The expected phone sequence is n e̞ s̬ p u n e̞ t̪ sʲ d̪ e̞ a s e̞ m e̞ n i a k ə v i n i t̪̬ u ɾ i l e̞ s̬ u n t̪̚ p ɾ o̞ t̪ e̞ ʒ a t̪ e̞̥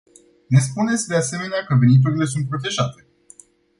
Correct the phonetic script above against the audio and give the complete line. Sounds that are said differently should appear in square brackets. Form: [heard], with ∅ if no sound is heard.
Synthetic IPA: n e̞ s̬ p u n e̞ t̪ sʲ d̪ e̞ a s e̞ m e̞ n [e] a k ə v [e] n i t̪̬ u ɾ i l e̞ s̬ u n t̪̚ p ɾ o̞ t̪ e̞ ʒ a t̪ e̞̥